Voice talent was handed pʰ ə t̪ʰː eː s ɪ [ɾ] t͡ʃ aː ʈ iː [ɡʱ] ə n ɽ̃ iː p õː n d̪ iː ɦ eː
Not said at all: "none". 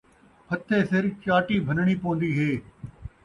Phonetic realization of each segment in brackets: ɾ, bʱ

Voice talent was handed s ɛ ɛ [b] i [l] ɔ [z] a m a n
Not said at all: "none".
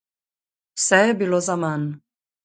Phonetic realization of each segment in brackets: b, l, z

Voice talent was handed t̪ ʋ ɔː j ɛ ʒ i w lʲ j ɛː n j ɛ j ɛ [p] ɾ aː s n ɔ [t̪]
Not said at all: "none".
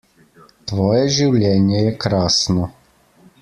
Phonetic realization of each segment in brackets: k, none

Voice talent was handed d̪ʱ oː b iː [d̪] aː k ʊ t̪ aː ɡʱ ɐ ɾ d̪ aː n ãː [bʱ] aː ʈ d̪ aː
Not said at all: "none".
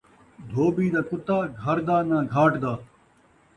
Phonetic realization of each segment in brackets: d̪, ɡʱ

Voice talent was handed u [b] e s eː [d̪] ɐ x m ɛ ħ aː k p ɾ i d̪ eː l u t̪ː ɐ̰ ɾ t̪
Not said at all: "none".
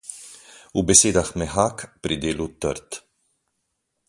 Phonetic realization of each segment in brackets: b, d̪

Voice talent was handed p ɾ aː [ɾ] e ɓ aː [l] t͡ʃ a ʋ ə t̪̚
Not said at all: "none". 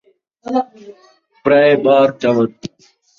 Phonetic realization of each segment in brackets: none, ɾ

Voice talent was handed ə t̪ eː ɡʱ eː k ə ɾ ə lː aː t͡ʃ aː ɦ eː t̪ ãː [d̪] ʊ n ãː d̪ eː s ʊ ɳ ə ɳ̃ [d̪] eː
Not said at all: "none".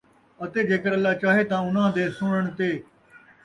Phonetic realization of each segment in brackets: none, t̪

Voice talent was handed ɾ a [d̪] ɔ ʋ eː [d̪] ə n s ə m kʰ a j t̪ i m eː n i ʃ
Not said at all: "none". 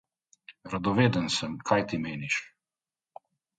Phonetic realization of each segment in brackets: d̪, d̪

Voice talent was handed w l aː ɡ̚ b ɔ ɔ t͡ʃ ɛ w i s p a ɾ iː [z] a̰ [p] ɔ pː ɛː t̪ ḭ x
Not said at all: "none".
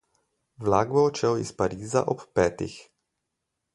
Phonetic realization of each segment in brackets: z, ʔ

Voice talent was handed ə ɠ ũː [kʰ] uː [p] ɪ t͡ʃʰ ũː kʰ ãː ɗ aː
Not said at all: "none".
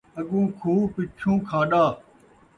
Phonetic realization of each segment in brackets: kʰ, p

